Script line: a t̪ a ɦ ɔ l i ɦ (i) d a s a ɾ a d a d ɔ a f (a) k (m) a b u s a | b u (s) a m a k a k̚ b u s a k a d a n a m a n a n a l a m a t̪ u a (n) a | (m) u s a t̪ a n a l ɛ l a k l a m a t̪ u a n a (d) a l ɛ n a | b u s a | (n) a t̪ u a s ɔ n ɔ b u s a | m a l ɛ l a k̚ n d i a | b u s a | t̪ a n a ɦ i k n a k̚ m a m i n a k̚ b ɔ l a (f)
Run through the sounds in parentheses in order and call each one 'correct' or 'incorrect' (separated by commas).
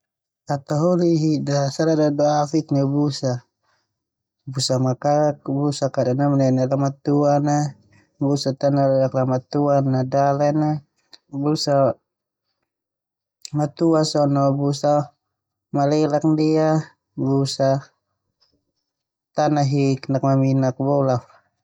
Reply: correct, incorrect, incorrect, correct, correct, incorrect, correct, incorrect, correct